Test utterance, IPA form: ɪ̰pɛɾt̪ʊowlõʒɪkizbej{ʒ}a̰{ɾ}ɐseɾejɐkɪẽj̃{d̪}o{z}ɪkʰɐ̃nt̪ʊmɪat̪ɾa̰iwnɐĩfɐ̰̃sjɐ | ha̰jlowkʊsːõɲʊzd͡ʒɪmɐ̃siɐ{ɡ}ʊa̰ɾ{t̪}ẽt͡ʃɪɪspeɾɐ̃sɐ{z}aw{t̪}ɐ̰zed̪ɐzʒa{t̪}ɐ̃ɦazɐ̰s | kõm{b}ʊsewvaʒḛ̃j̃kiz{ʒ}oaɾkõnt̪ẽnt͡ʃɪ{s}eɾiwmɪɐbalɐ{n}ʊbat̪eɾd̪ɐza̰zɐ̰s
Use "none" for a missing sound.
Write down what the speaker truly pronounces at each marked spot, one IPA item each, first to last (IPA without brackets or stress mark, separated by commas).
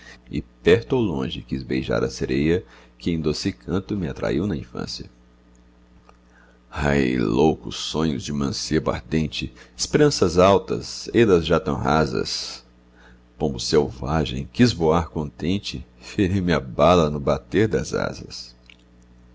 ʒ, ɾ, d̪, s, b, d̪, z, t̪, t̪, b, v, f, n